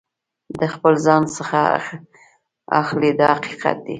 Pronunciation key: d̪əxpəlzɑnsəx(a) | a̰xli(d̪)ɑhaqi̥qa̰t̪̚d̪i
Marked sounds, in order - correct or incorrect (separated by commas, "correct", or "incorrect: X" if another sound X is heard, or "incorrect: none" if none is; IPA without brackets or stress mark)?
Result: correct, correct